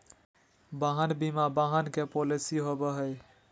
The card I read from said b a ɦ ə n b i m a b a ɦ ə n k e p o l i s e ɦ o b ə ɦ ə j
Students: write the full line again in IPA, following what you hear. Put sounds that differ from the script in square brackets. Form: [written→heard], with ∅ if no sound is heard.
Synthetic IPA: b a ɦ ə n b i m a b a ɦ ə n k e p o l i s [e→i] ɦ o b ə ɦ ə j